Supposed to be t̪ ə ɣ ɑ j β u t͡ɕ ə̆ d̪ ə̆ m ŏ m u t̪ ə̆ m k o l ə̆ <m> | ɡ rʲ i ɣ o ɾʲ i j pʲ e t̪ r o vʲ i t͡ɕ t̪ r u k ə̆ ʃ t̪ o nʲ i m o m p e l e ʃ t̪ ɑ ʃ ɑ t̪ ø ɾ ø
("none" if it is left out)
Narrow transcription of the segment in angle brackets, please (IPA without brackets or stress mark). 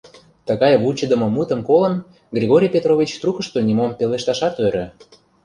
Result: n